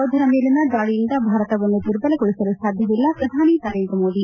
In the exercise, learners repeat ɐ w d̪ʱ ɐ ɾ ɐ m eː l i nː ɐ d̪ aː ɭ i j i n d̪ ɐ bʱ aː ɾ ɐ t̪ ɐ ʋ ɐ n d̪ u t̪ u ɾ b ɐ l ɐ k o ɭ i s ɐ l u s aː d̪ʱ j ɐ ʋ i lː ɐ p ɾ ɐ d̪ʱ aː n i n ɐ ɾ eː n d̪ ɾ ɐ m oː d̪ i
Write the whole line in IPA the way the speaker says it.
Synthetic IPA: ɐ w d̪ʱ ɐ ɾ ɐ m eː l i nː ɐ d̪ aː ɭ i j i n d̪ ɐ bʱ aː ɾ ɐ t̪ ɐ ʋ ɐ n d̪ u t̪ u ɾ b ɐ l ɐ k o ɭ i s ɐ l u s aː d̪ʱ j ɐ ʋ i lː ɐ p ɾ ɐ d̪ʱ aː n i n ɐ ɾ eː n d̪ ɾ ɐ m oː d̪ i